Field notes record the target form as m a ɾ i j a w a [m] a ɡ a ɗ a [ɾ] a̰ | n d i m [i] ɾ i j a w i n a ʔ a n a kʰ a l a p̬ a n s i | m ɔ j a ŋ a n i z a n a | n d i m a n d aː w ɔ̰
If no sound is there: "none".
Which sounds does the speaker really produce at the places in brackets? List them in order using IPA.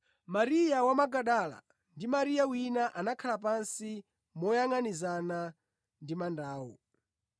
m, l, a

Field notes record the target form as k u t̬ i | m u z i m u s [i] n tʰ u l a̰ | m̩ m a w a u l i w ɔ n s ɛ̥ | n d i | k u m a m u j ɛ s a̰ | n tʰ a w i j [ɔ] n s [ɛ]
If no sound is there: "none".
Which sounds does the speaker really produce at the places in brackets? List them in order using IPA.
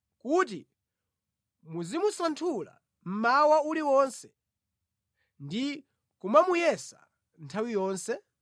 a, ɔː, ɛ

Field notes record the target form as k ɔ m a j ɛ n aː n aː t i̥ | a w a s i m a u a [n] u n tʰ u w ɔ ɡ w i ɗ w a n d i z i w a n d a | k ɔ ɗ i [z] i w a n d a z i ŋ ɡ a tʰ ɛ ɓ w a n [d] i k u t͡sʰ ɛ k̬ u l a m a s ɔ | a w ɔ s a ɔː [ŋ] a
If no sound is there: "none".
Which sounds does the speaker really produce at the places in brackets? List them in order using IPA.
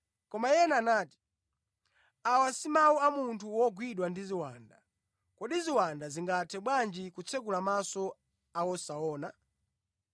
m, z, d͡ʒ, n

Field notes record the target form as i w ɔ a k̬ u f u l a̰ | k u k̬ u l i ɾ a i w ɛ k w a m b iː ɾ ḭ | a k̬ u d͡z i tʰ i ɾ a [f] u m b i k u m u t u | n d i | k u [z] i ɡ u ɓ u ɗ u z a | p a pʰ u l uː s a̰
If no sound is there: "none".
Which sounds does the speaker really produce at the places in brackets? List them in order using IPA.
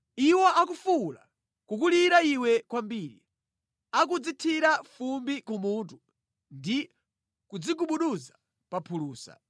f, d͡z

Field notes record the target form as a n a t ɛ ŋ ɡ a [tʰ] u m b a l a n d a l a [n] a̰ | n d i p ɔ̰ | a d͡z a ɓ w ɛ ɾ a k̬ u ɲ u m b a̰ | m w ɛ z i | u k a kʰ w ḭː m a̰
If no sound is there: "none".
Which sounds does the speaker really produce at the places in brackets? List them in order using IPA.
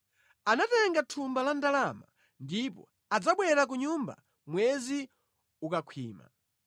tʰ, m

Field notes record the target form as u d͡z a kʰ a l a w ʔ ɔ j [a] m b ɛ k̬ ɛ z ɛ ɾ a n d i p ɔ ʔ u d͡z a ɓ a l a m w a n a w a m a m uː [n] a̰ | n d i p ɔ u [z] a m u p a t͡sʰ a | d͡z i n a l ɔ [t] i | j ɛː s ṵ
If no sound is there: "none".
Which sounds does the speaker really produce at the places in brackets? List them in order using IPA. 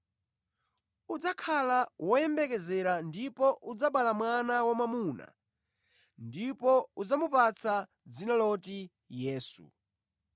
ɛ, n, d͡z, t

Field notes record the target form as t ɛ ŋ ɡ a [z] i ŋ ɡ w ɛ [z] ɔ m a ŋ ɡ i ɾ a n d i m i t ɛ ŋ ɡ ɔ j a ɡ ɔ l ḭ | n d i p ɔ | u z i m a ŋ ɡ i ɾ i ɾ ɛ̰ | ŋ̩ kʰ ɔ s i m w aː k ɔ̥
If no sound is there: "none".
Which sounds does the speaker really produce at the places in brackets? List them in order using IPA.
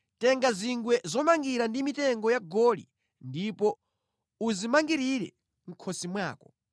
z, z

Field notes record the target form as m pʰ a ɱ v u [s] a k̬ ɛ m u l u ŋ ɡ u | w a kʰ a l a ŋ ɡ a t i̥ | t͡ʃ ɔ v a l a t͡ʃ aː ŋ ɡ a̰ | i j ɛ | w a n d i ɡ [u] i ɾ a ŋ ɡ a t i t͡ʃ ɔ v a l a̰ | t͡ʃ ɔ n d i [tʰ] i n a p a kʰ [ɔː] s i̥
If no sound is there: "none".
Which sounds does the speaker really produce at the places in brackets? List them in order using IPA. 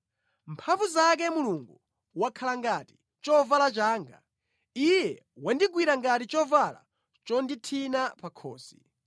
z, w, tʰ, ɔː

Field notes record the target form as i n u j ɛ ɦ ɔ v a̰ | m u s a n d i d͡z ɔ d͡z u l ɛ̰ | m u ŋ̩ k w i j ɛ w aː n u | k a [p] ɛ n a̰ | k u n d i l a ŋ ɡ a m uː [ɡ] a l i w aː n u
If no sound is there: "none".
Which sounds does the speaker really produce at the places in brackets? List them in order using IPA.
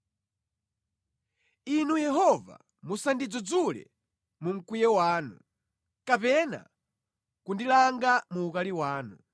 p, k

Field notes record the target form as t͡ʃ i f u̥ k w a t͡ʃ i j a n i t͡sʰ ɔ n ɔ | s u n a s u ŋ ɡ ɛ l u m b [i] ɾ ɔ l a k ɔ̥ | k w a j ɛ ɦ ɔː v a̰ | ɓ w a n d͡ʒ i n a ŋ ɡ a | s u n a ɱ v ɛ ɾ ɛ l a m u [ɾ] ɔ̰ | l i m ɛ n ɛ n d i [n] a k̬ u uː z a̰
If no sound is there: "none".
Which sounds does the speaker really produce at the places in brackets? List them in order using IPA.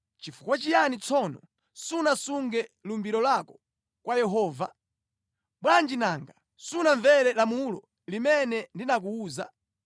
i, l, n

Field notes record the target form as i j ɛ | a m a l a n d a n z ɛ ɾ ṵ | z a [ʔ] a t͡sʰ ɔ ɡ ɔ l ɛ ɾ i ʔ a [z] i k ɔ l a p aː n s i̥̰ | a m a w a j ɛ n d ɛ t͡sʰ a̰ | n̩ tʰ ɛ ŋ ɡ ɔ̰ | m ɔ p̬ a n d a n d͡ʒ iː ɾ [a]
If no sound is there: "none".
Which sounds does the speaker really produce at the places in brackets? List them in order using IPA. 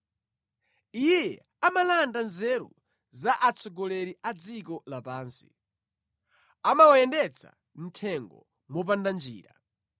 ʔ, d͡z, a

